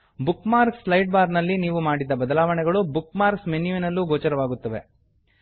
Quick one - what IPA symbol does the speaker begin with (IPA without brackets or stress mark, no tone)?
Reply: b